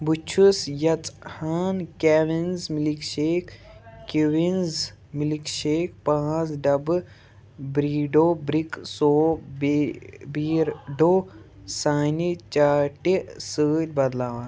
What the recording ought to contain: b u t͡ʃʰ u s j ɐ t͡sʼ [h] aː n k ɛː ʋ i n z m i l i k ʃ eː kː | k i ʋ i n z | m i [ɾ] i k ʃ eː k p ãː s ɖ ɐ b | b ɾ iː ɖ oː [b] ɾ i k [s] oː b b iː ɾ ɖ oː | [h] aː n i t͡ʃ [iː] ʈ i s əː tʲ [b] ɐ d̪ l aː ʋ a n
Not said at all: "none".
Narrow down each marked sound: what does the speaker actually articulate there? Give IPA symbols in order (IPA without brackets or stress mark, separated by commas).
h, l, b, s, s, aː, b